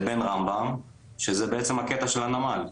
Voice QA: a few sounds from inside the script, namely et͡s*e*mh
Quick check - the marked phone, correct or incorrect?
correct